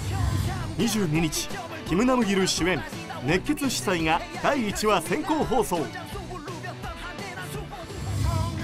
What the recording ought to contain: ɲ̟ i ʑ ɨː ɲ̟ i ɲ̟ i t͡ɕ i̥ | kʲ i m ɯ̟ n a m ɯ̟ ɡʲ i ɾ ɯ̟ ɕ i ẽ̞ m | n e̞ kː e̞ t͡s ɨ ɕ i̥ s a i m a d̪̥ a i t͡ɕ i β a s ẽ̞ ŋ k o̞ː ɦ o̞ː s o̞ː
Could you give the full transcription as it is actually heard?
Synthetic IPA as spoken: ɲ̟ i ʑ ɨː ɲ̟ i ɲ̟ i t͡ɕ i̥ | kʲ i m ɯ̟ n a m ɯ̟ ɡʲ i ɾ ɯ̟ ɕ i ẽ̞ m | n e̞ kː e̞ t͡s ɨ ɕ i̥ s a i ŋ a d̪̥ a iː t͡ɕ i β a s ẽ̞ ŋ k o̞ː ɦ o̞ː s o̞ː